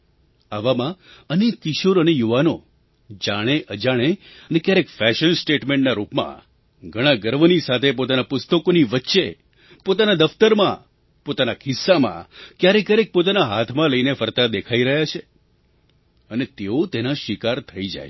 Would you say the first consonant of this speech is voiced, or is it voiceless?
voiced